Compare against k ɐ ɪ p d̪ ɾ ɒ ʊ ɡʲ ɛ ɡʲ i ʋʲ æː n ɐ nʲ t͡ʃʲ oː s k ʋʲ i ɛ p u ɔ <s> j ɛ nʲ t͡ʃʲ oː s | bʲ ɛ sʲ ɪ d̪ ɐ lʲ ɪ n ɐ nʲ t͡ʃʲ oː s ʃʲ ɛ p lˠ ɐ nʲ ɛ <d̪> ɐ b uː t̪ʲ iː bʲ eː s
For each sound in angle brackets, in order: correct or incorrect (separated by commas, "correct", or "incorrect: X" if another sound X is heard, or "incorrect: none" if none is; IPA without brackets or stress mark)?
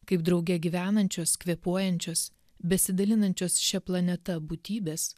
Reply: incorrect: none, incorrect: t̪